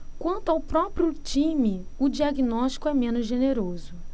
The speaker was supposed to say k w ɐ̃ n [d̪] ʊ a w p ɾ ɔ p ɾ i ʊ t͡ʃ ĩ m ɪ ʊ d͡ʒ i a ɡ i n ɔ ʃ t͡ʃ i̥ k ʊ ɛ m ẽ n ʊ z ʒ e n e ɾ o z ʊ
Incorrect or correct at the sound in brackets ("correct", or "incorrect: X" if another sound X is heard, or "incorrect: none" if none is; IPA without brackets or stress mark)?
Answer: incorrect: t̪